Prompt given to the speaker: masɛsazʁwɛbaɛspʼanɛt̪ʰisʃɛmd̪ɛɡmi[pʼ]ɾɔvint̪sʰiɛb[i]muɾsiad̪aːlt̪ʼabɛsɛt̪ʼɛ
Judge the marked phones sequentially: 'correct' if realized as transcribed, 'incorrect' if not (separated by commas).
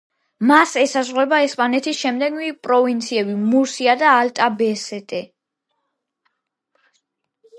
correct, correct